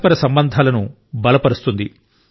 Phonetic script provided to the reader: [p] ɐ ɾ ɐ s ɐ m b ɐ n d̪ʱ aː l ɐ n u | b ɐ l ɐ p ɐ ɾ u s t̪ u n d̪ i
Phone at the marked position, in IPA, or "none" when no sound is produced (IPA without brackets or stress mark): p